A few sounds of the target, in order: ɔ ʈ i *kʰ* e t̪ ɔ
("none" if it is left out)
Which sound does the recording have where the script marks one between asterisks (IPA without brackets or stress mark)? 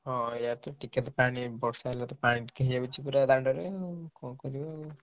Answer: k